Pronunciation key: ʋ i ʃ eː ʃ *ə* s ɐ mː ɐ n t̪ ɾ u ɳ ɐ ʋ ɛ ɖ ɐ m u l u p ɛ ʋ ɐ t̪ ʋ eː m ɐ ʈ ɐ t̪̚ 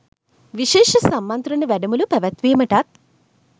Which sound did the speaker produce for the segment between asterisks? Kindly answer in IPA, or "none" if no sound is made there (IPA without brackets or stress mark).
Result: ɐ